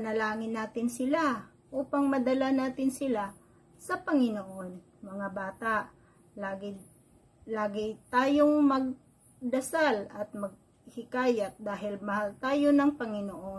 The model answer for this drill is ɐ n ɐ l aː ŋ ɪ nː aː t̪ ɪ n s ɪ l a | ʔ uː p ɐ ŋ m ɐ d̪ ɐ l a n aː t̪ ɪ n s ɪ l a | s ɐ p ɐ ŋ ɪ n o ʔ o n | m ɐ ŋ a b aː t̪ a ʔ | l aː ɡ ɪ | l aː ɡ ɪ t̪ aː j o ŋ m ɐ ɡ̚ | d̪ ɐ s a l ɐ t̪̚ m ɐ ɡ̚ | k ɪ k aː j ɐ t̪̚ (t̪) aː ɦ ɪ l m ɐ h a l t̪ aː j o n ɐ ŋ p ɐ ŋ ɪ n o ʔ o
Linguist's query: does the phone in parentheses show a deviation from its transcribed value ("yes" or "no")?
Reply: yes